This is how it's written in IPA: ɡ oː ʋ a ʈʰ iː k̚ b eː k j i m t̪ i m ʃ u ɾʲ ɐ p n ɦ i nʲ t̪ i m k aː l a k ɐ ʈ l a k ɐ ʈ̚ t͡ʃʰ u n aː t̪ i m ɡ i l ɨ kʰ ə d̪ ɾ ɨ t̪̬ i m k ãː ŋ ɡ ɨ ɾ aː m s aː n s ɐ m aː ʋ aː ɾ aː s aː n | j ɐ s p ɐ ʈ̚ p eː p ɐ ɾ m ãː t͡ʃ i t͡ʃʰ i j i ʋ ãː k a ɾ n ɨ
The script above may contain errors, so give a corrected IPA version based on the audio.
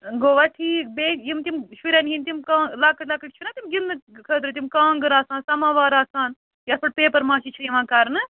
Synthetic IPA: ɡ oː ʋ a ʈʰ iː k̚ b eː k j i m t̪ i m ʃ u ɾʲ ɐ n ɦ i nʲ t̪ i m k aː l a k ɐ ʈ l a k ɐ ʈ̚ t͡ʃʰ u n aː t̪ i m ɡ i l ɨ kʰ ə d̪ ɾ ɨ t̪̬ i m k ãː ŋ ɡ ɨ ɾ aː s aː n s ɐ m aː ʋ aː ɾ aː s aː n | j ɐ s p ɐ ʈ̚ p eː p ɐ ɾ m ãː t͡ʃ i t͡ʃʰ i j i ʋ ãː k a ɾ n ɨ